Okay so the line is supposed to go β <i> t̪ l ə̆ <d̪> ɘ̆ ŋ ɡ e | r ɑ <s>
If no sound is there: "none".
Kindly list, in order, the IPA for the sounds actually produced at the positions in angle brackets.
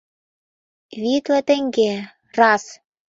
i, t̪, s

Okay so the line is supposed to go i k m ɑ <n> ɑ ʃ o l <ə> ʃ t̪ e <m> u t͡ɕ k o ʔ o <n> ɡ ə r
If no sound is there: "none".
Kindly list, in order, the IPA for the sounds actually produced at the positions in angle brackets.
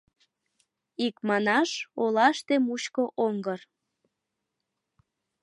n, ɑ, m, ŋ

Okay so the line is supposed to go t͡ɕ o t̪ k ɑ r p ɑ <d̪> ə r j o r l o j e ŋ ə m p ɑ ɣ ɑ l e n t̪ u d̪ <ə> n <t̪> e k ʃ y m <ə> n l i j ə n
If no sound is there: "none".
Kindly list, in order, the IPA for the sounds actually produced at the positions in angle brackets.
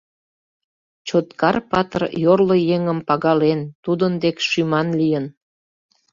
t̪, ə, d̪, ɑ

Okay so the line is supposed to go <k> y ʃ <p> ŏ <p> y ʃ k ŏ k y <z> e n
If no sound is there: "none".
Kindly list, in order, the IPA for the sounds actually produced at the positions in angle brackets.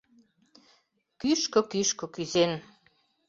k, k, k, z

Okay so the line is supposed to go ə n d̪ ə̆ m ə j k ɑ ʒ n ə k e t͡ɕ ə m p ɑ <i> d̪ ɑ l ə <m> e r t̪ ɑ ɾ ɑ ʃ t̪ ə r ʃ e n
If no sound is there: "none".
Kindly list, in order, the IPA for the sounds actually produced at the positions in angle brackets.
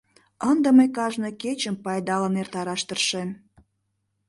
j, n

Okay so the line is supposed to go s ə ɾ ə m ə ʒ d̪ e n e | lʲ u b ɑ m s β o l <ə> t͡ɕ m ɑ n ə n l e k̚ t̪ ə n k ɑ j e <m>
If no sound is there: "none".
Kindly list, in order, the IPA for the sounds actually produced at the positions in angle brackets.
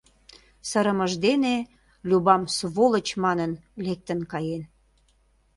ə, n

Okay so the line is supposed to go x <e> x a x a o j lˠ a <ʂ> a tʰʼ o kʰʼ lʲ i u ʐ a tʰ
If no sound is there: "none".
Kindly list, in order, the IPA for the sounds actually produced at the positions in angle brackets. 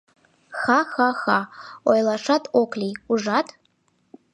a, ʂ

